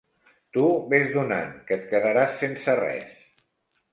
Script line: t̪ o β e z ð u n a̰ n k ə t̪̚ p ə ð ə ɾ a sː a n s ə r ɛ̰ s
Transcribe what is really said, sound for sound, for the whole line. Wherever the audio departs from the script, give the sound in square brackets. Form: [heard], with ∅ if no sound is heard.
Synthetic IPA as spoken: t̪ [u] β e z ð u n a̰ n k ə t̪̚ [k] ə ð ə ɾ a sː [e] n s ə r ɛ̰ s